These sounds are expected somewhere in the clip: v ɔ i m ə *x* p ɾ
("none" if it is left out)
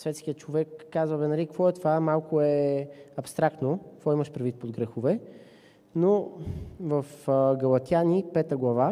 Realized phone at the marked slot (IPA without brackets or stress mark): ʃ